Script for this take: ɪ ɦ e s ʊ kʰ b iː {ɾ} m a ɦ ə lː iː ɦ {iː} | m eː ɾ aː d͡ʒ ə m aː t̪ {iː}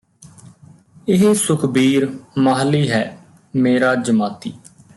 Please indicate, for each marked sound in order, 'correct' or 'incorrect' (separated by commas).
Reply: correct, incorrect, correct